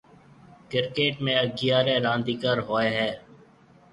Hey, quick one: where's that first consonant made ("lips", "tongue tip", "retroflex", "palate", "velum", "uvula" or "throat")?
velum